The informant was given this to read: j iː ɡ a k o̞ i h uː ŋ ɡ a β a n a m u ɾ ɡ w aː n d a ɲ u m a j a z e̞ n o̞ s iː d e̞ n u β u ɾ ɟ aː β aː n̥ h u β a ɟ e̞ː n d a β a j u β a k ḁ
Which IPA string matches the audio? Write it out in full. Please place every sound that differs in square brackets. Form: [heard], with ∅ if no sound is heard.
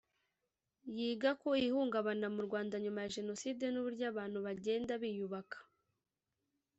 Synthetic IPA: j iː ɡ a k o̞ i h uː ŋ ɡ a β a n a m u ɾ ɡ w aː n d a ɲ u m a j a [ʒ] e̞ n o̞ s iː d e̞ n u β u ɾ ɟ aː β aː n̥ h u β a ɟ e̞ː n d a β [i] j u β a k ḁ

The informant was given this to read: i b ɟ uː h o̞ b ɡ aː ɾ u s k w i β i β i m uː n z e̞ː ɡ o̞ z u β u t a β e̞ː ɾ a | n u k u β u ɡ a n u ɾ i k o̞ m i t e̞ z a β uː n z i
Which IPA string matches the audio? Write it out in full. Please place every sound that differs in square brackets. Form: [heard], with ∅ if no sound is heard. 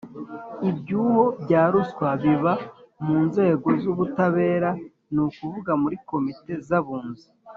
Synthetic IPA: i b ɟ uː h o̞ b [ɟ] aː ɾ u s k w [a] β i β [a] m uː n z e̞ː ɡ o̞ z u β u t a β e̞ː ɾ a | n u k u [v] u ɡ a [m] u ɾ i k o̞ m i t e̞ z a β uː n z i

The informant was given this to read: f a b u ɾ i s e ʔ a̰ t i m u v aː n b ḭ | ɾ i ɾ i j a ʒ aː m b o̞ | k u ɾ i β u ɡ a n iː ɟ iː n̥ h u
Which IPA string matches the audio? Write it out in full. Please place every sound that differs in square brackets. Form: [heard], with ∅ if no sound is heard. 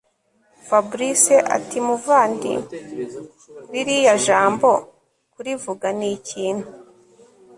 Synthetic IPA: f a b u ɾ i s e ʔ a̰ t i m u v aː n [d] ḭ | ɾ i ɾ i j a ʒ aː m b o̞ | k u ɾ i [v] u ɡ a n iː [c] iː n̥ h u

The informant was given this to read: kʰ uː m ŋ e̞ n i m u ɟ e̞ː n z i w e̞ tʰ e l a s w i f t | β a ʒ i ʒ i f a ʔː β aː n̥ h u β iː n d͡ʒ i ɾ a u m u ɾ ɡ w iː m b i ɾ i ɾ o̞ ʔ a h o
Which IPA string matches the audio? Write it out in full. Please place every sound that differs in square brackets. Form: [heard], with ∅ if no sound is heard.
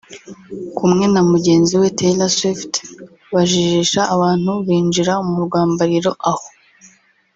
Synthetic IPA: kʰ [u] m ŋ e̞ n [a] m u ɟ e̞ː n z i w e̞ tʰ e l a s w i f t | β a ʒ i ʒ i [ʃ] a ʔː β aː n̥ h u β iː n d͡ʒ i ɾ a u m u ɾ ɡ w [aː] m b [a] ɾ i ɾ o̞ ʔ a h o

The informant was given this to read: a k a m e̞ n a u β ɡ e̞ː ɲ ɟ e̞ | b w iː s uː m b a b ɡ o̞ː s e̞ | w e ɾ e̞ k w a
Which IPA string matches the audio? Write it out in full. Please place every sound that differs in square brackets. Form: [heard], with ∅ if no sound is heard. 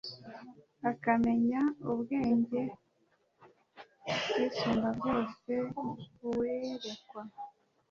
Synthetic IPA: a k a m e̞ [ɲ] a u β ɡ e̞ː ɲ ɟ e̞ | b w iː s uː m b a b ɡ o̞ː s e̞ | w e ɾ e̞ k w a

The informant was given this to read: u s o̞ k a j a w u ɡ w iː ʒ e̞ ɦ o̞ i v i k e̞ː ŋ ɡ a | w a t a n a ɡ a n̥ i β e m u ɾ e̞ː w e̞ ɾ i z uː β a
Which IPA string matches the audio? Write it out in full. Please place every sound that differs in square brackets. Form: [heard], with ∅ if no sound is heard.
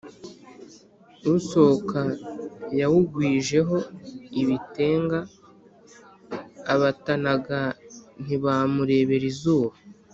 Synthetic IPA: u s o̞ k a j a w u ɡ w iː ʒ e̞ ɦ o̞ i [β] i [t] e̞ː ŋ ɡ a | [β] a t a n a ɡ a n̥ i β [a] m u ɾ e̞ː [β] e̞ ɾ i z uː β a

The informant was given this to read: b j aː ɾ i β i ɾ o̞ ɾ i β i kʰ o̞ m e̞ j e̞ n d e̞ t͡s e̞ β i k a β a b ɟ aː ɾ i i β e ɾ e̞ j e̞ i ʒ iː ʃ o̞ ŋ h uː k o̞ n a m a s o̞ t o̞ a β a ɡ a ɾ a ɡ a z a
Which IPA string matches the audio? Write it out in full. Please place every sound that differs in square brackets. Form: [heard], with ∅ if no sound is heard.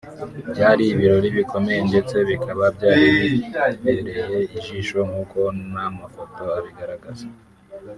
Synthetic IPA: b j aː ɾ i β i ɾ o̞ ɾ i β i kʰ o̞ m e̞ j e̞ n d e̞ t͡s e̞ β i k a β a b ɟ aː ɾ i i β e ɾ e̞ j e̞ i ʒ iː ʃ o̞ ŋ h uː k o̞ n a m a [f] o̞ t o̞ a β [i] ɡ a ɾ a ɡ a z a

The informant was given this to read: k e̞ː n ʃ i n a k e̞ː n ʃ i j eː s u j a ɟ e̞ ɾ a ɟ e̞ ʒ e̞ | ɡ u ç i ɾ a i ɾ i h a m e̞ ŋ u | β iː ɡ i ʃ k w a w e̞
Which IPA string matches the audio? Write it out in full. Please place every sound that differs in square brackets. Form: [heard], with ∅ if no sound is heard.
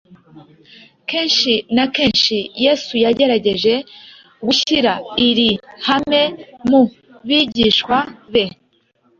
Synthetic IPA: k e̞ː n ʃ i n a k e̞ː n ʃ i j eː s u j a ɟ e̞ ɾ a ɟ e̞ ʒ e̞ | ɡ u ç i ɾ a i ɾ i h a m e̞ [m] u | β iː [ɟ] i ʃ k w a [β] e̞

